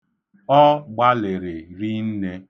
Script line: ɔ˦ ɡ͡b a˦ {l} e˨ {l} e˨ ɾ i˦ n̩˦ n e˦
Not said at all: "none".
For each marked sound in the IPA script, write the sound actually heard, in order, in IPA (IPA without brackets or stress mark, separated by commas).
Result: l, ɾ